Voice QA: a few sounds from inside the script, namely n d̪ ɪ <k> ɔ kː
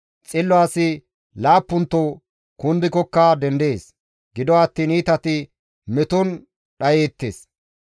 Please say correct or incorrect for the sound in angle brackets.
correct